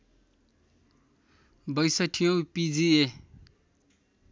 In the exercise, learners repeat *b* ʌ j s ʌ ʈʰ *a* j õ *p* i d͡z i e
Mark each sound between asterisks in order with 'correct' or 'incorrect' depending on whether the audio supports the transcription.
correct, incorrect: i, correct

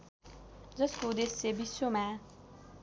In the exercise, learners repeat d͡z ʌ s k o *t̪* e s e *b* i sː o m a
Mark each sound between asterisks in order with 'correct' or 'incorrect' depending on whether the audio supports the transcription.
incorrect: d̪, correct

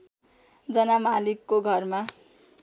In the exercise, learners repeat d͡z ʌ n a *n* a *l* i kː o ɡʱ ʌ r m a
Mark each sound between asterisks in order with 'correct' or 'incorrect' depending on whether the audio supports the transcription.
incorrect: m, correct

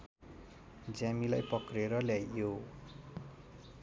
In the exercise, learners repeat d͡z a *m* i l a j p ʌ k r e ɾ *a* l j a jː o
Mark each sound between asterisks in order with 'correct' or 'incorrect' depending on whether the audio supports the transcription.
correct, incorrect: ʌ

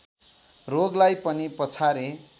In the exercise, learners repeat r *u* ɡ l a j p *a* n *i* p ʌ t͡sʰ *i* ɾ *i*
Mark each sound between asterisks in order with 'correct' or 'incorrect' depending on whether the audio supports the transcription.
incorrect: o, incorrect: ʌ, correct, incorrect: a, incorrect: e

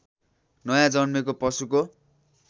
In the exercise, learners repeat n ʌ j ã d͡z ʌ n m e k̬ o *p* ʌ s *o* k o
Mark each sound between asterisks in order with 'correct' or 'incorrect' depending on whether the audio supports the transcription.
correct, incorrect: u

